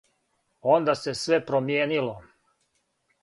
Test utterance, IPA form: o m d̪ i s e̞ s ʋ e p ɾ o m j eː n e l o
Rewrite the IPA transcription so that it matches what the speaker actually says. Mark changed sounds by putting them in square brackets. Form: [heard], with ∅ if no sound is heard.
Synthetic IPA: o [n] d̪ [a] s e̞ s ʋ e p ɾ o m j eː n [i] l o